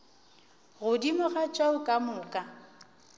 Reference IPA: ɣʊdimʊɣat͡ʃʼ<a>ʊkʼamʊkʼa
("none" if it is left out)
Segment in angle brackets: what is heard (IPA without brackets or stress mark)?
a